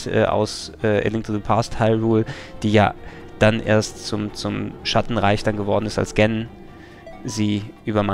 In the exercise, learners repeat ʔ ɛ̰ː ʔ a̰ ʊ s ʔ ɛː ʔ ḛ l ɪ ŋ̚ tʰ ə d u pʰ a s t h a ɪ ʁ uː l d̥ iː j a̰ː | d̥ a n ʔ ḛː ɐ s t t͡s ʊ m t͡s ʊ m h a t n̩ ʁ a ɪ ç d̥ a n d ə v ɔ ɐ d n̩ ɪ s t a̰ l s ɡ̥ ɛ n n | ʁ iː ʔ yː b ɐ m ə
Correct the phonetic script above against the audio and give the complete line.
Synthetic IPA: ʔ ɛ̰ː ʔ a̰ ʊ s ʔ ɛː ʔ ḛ l ɪ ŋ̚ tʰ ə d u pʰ a s t h a ɪ ʁ uː l d̥ iː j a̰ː | d̥ a n ʔ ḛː ɐ s t t͡s ʊ m t͡s ʊ m ʃ a t n̩ ʁ a ɪ ç d̥ a n ɡ ə v ɔ ɐ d n̩ ɪ s t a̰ l s ɡ̥ ɛ n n | z iː ʔ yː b ɐ m a